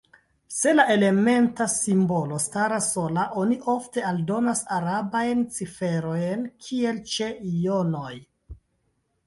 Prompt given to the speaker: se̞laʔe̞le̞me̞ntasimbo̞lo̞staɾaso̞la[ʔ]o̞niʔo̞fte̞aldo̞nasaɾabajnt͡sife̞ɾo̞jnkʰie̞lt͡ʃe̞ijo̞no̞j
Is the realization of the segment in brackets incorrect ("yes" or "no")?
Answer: no